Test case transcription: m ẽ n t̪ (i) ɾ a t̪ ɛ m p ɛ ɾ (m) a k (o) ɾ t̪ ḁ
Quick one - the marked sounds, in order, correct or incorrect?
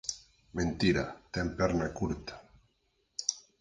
correct, incorrect, incorrect

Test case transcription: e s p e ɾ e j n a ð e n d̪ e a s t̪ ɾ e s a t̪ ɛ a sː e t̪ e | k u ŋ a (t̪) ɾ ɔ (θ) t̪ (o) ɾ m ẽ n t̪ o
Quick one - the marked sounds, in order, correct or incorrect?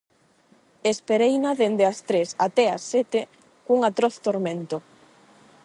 correct, correct, correct

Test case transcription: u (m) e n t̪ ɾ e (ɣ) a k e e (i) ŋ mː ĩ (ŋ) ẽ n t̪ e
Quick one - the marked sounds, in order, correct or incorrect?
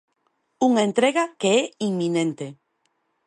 incorrect, correct, correct, incorrect

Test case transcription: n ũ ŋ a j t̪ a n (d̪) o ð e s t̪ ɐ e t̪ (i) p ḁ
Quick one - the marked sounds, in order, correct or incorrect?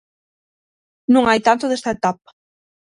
incorrect, incorrect

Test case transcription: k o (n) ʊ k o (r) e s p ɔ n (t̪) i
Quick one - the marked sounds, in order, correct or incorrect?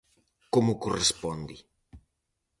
incorrect, correct, incorrect

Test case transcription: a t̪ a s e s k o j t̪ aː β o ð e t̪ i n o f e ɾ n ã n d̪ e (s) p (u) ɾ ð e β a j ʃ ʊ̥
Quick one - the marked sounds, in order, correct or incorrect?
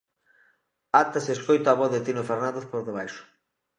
incorrect, incorrect

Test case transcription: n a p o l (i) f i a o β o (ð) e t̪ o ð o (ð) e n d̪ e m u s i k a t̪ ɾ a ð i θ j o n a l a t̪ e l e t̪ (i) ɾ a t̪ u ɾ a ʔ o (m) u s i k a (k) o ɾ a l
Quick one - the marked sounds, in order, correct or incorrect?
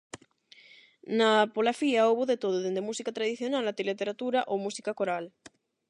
incorrect, correct, correct, incorrect, correct, correct

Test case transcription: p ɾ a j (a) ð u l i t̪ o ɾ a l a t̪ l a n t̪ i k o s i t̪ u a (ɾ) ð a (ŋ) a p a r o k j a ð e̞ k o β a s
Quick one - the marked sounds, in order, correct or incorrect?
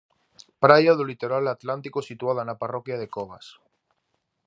correct, incorrect, incorrect

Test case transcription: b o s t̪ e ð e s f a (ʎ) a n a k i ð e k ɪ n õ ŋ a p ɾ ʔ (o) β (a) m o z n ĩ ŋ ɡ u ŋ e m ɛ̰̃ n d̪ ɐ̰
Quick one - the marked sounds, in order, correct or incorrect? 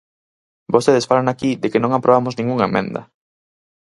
incorrect, correct, correct

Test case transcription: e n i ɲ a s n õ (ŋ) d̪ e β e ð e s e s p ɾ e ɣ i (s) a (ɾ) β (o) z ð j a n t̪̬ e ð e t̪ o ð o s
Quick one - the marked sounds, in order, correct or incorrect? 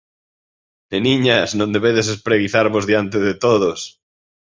incorrect, incorrect, correct, correct

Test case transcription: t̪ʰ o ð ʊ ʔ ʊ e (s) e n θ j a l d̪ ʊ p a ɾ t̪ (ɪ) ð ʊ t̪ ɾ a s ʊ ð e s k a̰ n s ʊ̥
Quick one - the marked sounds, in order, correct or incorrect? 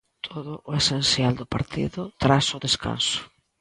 correct, incorrect

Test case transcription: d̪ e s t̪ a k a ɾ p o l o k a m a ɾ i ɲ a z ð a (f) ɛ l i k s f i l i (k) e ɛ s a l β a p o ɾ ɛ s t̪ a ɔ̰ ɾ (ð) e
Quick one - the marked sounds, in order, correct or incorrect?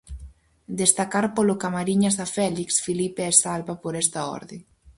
correct, incorrect, correct

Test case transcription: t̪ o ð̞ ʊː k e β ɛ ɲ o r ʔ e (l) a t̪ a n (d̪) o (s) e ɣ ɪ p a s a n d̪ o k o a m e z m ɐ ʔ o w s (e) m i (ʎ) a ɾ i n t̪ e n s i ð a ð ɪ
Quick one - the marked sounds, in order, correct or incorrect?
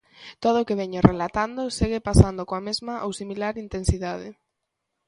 correct, correct, correct, incorrect, incorrect

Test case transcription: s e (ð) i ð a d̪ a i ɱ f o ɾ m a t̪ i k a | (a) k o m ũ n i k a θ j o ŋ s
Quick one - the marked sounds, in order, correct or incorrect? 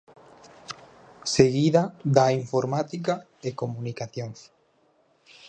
incorrect, incorrect

